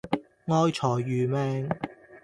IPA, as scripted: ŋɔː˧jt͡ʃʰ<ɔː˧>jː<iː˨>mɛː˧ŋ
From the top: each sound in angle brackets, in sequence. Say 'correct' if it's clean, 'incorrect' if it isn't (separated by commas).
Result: incorrect, incorrect